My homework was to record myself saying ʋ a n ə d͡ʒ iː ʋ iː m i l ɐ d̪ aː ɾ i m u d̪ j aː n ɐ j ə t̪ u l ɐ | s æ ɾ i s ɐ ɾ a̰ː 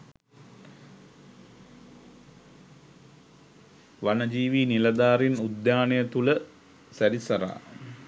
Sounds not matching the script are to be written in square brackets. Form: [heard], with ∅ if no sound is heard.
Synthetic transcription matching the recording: ʋ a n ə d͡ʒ iː ʋ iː [n] i l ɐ d̪ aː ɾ i [n] u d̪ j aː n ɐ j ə t̪ u l [ə] | s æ ɾ i s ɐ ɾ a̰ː